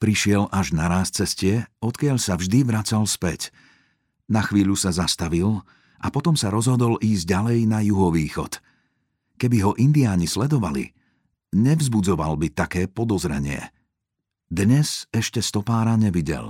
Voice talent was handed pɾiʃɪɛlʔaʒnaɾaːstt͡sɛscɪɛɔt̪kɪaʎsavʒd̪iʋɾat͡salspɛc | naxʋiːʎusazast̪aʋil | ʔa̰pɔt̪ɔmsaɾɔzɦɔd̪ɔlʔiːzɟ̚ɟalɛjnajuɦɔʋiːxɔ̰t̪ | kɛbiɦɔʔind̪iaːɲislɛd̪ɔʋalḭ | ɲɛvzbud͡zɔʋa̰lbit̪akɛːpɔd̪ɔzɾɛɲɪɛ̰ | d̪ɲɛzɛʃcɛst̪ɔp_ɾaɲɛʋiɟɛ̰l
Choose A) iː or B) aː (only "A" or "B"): B